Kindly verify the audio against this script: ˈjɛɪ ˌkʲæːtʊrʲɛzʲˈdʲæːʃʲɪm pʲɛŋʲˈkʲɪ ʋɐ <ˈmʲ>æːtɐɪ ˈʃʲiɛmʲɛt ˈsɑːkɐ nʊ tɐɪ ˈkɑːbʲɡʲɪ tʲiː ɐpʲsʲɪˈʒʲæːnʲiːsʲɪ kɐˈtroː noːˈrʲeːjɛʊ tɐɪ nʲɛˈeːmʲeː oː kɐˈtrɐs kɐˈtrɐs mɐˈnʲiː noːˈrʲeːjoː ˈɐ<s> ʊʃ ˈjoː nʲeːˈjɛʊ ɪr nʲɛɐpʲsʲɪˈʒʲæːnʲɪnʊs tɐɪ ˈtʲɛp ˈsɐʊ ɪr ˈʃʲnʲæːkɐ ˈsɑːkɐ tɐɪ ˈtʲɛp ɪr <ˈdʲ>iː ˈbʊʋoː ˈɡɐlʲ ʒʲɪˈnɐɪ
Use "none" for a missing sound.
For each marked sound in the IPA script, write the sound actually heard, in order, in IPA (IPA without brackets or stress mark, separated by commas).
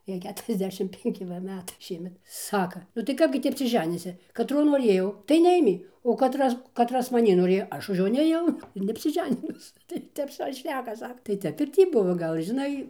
mʲ, ʃ, tʲ